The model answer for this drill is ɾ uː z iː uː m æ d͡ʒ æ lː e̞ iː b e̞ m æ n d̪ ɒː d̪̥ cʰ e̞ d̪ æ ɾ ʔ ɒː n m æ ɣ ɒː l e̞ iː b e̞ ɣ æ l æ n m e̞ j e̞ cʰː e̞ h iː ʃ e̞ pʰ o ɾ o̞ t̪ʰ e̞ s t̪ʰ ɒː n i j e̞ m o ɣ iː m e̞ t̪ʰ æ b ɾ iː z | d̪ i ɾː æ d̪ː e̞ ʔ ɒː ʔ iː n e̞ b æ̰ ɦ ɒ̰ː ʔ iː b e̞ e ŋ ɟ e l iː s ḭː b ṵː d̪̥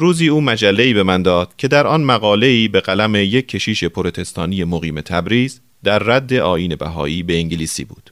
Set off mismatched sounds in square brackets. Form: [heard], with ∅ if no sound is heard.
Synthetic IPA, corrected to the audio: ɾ uː z iː uː m æ d͡ʒ æ lː e̞ iː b e̞ m æ n d̪ ɒː d̪̥ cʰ e̞ d̪ æ ɾ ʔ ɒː n m æ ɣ ɒː l e̞ iː b e̞ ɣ æ l æ [∅] m e̞ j e̞ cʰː e̞ [ʃ] iː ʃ e̞ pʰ o ɾ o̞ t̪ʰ e̞ s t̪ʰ ɒː n i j e̞ m o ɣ iː m e̞ t̪ʰ æ b ɾ iː z | d̪ [æ] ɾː æ d̪ː e̞ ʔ ɒː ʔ iː n e̞ b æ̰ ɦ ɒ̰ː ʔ iː b e̞ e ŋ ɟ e l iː s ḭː b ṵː d̪̥